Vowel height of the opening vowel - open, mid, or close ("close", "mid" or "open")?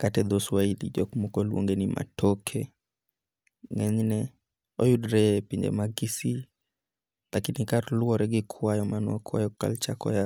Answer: open